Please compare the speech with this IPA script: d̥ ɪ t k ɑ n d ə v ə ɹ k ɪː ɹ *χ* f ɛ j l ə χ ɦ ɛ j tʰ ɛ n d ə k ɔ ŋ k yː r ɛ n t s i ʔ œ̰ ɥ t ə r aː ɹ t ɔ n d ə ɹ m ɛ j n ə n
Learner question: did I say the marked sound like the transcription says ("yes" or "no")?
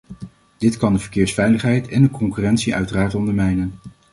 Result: no